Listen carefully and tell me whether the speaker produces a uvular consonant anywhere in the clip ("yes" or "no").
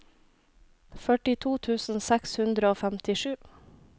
no